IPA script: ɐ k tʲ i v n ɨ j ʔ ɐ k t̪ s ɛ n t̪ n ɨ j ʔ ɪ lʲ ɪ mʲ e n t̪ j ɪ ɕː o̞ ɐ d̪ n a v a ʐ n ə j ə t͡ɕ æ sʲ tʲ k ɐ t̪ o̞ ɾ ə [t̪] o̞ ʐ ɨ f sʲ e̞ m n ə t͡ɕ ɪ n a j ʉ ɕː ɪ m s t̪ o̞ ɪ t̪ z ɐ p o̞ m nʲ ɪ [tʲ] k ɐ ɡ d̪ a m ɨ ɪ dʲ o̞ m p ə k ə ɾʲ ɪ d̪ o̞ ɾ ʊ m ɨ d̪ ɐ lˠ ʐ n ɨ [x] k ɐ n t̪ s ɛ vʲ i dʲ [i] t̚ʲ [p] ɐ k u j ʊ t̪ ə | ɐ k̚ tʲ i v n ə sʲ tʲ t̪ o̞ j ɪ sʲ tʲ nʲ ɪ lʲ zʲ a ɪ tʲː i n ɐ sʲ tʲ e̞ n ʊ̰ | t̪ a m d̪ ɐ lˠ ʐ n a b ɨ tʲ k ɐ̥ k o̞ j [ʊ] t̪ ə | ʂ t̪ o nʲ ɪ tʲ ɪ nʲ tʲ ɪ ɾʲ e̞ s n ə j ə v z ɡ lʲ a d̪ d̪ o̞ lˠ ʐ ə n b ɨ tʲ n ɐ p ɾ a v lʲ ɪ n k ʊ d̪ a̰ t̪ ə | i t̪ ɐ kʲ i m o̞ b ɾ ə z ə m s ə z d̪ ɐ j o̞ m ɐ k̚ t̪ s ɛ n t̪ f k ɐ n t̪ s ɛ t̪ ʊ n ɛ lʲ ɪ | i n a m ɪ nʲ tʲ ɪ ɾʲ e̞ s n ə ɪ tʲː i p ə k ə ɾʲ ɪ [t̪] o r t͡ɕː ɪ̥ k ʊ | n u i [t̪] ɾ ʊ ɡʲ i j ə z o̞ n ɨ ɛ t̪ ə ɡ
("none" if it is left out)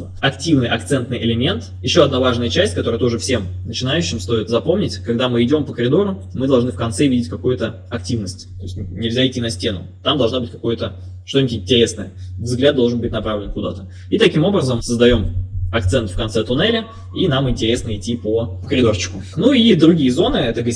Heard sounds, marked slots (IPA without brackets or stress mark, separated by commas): t̪, tʲ, f, ɪ, k, ʊ, d̪, d̪